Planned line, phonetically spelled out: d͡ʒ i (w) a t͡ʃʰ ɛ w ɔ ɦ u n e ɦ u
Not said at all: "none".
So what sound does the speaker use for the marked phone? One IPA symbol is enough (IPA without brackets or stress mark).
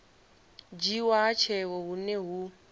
w